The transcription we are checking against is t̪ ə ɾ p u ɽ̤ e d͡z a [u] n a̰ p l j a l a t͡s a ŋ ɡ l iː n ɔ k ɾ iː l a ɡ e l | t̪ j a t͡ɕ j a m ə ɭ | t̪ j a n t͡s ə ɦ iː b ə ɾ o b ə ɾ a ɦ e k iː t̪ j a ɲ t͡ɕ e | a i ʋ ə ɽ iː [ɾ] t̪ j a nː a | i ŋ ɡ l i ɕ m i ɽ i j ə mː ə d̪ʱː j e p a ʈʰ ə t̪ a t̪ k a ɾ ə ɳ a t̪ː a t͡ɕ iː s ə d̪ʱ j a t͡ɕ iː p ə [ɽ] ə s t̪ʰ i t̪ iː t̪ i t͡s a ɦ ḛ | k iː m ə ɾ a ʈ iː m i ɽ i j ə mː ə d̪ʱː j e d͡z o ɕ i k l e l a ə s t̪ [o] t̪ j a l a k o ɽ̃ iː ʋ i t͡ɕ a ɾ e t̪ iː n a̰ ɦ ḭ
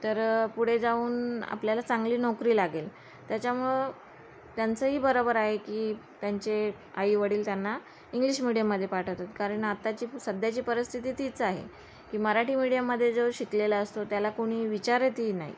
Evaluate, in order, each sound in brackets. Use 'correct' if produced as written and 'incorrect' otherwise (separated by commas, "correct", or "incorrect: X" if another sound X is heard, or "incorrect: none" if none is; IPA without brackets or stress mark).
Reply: incorrect: uː, incorrect: l, incorrect: ɾ, correct